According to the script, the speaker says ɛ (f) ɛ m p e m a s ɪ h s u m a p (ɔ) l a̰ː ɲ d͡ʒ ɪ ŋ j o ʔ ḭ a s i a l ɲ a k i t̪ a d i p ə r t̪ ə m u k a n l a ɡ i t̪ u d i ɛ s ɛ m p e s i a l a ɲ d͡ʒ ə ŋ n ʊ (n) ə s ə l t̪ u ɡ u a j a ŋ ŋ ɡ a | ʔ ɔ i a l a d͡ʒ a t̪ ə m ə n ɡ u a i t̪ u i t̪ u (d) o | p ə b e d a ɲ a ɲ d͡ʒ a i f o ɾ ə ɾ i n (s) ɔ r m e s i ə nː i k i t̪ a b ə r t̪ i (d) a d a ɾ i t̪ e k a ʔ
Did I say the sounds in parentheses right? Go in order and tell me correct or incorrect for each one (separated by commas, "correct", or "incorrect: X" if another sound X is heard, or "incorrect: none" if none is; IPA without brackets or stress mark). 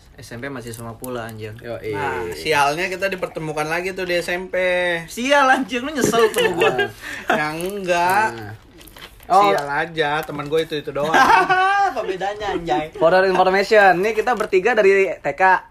incorrect: s, incorrect: u, incorrect: ɲ, correct, incorrect: f, incorrect: ɡ